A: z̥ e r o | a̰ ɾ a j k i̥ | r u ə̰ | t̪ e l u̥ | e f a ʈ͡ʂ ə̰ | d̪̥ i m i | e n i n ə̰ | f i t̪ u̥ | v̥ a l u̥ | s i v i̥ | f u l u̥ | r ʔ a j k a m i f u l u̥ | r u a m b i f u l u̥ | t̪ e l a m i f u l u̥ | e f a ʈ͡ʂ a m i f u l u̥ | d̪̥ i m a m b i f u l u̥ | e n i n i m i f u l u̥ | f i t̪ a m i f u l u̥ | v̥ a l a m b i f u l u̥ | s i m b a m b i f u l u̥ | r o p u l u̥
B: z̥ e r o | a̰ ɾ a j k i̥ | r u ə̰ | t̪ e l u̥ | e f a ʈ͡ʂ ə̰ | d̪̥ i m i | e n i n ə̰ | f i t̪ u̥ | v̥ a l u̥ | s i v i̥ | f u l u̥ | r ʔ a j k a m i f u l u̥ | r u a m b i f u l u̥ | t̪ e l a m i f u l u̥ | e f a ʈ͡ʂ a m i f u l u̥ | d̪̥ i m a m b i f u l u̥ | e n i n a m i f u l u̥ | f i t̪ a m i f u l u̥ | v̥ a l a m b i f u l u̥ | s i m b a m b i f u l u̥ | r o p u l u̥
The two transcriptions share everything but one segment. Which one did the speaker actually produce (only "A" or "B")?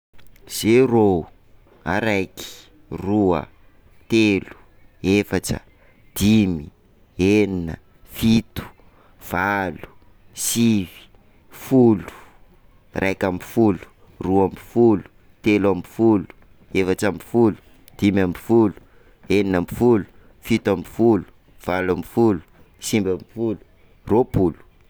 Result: B